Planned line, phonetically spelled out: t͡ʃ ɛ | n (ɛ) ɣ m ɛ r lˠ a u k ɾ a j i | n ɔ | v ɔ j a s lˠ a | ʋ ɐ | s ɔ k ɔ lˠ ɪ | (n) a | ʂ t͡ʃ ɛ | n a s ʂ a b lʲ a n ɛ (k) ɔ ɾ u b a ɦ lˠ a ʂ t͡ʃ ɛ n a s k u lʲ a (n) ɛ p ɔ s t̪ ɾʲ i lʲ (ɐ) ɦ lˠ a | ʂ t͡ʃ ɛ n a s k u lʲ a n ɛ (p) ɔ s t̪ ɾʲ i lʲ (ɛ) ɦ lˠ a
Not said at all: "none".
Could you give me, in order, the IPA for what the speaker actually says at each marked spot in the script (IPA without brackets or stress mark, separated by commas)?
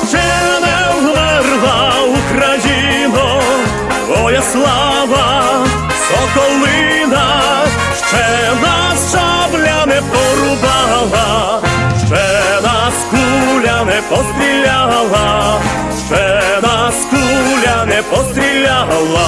ɛ, n, p, n, a, p, a